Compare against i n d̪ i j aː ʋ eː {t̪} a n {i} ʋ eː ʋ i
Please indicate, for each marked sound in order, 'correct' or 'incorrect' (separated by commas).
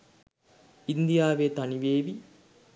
correct, correct